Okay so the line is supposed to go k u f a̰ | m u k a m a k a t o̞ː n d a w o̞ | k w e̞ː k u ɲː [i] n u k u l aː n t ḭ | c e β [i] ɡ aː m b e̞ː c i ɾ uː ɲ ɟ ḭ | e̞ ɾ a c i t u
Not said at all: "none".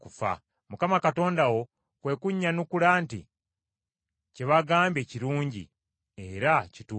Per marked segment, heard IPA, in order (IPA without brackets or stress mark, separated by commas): a, a